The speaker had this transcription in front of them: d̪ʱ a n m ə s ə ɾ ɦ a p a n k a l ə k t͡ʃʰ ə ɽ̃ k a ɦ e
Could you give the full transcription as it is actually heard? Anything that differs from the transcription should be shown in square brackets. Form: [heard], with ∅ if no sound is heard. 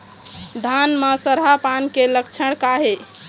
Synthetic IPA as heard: d̪ʱ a n m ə s ə ɾ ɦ a p a n k [e] l ə k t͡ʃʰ ə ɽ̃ k a ɦ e